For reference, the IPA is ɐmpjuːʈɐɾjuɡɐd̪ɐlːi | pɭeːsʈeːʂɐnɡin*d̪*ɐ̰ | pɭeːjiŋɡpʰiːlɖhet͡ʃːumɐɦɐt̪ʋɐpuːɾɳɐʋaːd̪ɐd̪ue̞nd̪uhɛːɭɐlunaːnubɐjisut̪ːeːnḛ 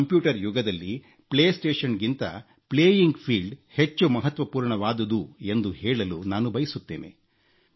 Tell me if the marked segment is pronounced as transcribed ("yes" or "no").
no